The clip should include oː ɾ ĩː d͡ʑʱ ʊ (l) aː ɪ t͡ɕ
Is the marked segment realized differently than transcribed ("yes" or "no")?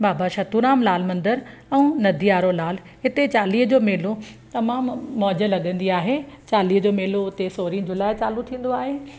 no